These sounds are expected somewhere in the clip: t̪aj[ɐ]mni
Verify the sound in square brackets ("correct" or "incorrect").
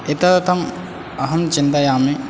incorrect